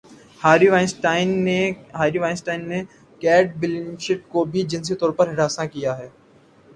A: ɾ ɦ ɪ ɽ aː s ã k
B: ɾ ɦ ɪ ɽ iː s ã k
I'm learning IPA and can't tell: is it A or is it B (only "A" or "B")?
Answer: A